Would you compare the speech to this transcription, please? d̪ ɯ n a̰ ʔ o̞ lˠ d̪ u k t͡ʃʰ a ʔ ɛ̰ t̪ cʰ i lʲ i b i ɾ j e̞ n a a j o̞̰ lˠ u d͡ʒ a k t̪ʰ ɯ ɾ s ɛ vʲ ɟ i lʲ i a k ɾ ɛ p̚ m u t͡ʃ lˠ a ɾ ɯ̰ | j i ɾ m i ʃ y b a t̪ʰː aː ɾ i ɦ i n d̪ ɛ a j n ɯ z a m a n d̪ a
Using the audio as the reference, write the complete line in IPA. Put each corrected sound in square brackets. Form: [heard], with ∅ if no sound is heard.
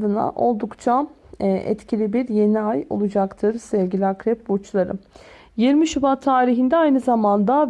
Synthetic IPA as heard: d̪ ɯ n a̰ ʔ o̞ lˠ d̪ u k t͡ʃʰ a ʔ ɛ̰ t̪ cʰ i lʲ i b i ɾ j e̞ n [i] a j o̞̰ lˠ u d͡ʒ a k t̪ʰ ɯ ɾ s ɛ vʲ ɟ i lʲ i a k ɾ ɛ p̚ [b] u t͡ʃ lˠ a ɾ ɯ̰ | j i ɾ m i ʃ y b a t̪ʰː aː ɾ i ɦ i n d̪ ɛ a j n ɯ z a m a n d̪ a

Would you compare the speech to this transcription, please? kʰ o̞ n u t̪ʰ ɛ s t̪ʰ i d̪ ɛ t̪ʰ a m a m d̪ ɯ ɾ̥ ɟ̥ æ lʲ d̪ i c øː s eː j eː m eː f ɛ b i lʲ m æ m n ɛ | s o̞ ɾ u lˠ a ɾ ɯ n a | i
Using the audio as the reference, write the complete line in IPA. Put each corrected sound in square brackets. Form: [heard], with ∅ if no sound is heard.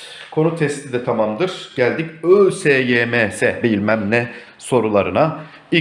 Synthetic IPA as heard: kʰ o̞ n u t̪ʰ ɛ s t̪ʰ i d̪ ɛ t̪ʰ a m a m d̪ ɯ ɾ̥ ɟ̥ æ lʲ d̪ i c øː s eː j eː m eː [s] ɛ b i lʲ m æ m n ɛ | s o̞ ɾ u lˠ a ɾ ɯ n a | i

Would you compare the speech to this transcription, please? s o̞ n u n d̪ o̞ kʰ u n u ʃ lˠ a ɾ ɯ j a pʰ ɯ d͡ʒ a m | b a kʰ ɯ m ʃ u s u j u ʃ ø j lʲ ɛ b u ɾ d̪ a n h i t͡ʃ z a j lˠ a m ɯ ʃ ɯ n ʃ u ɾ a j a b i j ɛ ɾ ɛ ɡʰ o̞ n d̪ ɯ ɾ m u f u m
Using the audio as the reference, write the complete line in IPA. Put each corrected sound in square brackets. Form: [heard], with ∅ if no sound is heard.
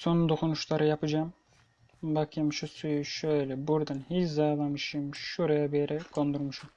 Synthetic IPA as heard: s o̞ n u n d̪ o̞ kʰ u n u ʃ lˠ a ɾ ɯ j a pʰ ɯ d͡ʒ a m | b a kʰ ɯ m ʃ u s u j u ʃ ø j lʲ ɛ b u ɾ d̪ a n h i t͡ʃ z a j lˠ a m ɯ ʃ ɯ [m] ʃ u ɾ a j a b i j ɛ ɾ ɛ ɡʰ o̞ n d̪ [u] ɾ m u [ʃ] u m

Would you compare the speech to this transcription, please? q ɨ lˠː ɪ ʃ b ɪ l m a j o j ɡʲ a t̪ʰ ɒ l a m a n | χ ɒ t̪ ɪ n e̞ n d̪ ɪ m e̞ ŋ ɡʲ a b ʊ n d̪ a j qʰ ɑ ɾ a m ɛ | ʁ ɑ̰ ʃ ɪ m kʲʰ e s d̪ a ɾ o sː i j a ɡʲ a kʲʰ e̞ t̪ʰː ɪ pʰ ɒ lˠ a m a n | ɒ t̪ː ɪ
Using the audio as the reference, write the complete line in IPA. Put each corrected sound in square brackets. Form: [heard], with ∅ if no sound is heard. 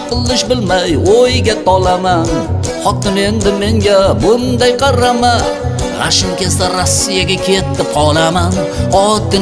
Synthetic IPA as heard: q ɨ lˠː ɪ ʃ b ɪ l m a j o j ɡʲ a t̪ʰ ɒ l a m a n | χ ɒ t̪ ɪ n e̞ n d̪ ɪ m e̞ ŋ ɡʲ a b ʊ n d̪ a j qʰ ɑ ɾ a m [a] | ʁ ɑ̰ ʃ ɪ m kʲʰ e s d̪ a ɾ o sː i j a ɡʲ a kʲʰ e̞ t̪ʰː ɪ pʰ ɒ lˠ a m a n | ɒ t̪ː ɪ

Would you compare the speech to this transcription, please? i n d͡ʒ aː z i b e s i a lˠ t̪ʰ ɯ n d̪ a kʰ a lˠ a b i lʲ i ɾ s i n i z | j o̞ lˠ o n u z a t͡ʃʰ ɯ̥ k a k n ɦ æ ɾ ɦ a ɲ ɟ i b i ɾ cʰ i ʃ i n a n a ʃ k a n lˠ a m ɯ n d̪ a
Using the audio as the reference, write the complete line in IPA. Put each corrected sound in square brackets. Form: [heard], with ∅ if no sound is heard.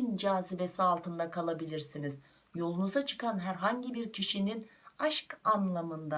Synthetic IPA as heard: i n d͡ʒ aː z i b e s i a lˠ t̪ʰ ɯ n d̪ a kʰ a lˠ a b i lʲ i ɾ s i n i z | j o̞ lˠ [u] n u z a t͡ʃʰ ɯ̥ k a [∅] n ɦ æ ɾ ɦ a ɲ ɟ i b i ɾ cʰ i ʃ i n [i] n a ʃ k a n lˠ a m ɯ n d̪ a

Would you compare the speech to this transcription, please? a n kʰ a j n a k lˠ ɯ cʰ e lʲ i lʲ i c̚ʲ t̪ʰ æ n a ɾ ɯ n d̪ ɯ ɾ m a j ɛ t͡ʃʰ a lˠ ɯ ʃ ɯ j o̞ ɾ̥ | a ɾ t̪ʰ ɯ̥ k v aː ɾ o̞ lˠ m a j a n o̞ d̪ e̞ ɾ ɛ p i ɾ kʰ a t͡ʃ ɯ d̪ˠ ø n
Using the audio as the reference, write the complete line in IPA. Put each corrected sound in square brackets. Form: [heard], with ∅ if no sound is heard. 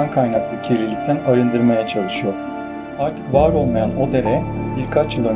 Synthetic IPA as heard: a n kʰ a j n a k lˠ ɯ cʰ e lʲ i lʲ i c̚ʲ t̪ʰ æ n a ɾ ɯ n d̪ ɯ ɾ m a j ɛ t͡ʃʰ a lˠ ɯ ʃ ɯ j o̞ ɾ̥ | a ɾ t̪ʰ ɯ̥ k v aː ɾ o̞ lˠ m a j a n o̞ d̪ e̞ ɾ ɛ [b] i ɾ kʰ a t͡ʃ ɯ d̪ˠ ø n

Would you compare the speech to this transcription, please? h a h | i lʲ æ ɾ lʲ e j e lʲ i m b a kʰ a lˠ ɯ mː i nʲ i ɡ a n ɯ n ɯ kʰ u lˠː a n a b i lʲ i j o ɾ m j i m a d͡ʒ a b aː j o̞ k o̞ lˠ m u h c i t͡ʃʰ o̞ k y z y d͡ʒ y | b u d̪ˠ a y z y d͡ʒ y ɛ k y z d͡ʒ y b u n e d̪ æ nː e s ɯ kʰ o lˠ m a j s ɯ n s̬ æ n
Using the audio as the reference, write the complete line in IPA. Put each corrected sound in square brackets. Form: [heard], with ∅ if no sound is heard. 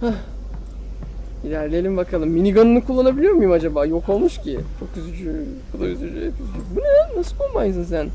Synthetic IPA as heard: h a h | i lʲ æ ɾ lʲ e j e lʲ i m b a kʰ a lˠ ɯ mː i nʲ i ɡ a n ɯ n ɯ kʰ u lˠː a n a b i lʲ i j o ɾ m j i m a d͡ʒ a b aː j o̞ k o̞ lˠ m u [ʃ] c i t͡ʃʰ o̞ k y z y d͡ʒ y | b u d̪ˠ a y z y d͡ʒ y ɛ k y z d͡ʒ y b u n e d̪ æ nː [a] s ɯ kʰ o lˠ m a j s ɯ n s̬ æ n

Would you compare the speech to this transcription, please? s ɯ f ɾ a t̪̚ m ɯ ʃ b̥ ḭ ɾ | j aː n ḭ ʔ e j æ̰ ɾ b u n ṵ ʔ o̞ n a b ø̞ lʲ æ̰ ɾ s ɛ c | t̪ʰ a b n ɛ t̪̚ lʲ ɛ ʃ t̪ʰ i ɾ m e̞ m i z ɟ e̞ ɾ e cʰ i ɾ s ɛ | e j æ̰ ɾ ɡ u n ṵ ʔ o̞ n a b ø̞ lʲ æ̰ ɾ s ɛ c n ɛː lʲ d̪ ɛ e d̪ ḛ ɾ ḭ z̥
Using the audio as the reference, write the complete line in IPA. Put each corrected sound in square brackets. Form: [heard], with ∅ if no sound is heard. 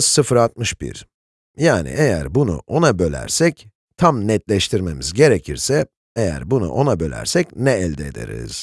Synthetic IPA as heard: s ɯ f ɾ a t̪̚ m ɯ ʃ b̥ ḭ ɾ | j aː n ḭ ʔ e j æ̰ ɾ b u n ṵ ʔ o̞ n a b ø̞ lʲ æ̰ ɾ s ɛ c | t̪ʰ a [m] n ɛ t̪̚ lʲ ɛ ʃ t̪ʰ i ɾ m e̞ m i z ɟ e̞ ɾ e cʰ i ɾ s ɛ | e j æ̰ ɾ [b] u n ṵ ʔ o̞ n a b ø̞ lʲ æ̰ ɾ s ɛ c n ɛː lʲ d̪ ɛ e d̪ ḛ ɾ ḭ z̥

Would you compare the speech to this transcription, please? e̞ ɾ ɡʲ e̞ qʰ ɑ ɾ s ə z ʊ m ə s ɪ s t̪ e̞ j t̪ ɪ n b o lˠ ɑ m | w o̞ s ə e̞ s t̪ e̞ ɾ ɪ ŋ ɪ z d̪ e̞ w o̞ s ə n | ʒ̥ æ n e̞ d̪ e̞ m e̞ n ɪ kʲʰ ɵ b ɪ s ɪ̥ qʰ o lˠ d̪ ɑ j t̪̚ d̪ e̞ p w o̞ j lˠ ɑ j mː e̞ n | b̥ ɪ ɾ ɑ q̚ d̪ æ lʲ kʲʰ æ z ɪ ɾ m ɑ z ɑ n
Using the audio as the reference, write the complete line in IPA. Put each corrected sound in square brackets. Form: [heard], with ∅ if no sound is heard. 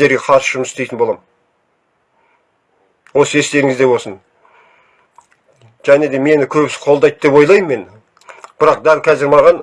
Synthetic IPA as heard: e̞ ɾ ɡʲ e̞ qʰ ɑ ɾ s ə [ʒ] ʊ m ə s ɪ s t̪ e̞ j t̪ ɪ n b o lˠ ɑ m | w o̞ s ə e̞ s t̪ e̞ ɾ ɪ ŋ ɪ z d̪ e̞ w o̞ s ə n | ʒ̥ æ n e̞ d̪ e̞ m e̞ n ɪ kʲʰ ɵ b ɪ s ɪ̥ qʰ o lˠ d̪ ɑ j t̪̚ d̪ e̞ p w o̞ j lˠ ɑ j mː e̞ n | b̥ ɪ ɾ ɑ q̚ d̪ æ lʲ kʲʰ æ z ɪ ɾ m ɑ [ʁ] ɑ n

